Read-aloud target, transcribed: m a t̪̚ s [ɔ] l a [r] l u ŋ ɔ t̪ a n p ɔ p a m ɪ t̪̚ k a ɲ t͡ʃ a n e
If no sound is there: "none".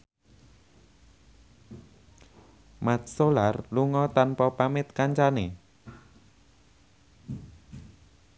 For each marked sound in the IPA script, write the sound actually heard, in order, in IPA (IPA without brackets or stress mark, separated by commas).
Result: o, r